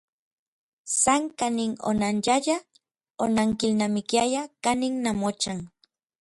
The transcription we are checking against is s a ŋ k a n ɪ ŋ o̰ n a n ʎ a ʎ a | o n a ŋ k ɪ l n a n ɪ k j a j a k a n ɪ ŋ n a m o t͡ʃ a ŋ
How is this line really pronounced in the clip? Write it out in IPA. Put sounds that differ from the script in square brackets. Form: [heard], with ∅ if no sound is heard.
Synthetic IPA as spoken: s a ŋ k a n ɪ ŋ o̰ n a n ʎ a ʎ a | o n a ŋ k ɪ l n a [m] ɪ k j a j a k a n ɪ ŋ n a m o t͡ʃ a ŋ